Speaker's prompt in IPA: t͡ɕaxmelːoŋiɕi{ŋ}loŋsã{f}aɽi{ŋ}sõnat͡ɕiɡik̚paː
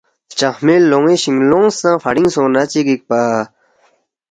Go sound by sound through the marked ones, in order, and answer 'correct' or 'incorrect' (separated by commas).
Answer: correct, correct, correct